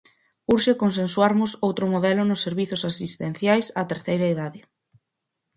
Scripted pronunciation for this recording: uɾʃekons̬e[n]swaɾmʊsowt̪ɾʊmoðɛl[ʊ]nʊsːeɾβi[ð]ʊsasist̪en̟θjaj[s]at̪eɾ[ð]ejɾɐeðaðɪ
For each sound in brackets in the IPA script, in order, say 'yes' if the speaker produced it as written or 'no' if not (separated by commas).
yes, yes, no, yes, no